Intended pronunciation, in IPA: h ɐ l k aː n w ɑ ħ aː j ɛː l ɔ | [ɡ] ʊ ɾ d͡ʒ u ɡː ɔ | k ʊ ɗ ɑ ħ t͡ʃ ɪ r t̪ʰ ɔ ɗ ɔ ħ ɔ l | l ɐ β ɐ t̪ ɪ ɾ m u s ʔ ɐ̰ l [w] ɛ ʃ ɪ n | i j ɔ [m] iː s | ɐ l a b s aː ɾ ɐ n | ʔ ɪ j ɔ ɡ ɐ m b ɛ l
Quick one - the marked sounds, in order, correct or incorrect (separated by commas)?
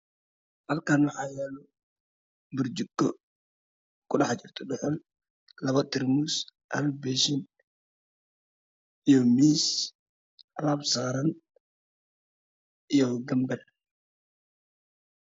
incorrect, incorrect, correct